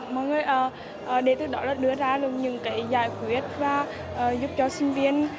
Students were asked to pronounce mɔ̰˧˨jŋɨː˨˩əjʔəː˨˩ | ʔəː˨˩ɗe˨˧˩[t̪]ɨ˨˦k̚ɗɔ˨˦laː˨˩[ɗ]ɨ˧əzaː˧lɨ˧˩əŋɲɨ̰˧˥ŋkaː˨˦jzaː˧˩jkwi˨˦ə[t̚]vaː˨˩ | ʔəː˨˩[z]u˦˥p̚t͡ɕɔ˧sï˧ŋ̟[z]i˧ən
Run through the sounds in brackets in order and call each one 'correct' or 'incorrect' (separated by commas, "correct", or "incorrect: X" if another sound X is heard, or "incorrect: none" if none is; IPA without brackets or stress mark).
correct, correct, correct, correct, incorrect: v